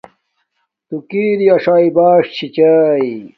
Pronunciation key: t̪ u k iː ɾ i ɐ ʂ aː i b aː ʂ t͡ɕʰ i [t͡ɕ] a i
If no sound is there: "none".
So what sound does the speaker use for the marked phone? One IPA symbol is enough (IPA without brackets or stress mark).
t͡ɕ